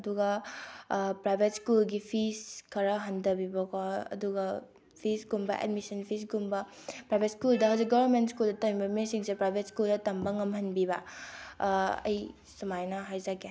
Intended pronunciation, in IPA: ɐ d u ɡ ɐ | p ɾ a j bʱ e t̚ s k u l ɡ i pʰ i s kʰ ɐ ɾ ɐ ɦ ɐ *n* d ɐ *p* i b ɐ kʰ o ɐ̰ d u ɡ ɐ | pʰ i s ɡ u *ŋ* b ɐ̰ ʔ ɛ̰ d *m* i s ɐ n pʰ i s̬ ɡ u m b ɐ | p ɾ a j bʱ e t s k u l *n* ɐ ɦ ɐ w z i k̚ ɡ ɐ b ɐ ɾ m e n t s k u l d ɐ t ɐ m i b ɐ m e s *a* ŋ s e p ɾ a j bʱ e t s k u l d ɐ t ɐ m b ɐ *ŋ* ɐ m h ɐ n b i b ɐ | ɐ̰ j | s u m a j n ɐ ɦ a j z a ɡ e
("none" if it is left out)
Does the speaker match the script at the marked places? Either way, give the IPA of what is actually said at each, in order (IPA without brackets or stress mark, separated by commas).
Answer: n, b, m, m, d, i, ŋ